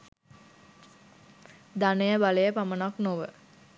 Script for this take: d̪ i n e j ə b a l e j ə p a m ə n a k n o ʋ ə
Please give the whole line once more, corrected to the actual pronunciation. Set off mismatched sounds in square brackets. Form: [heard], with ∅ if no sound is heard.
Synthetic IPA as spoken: d̪ [a] n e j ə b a l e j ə p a m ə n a k n o ʋ ə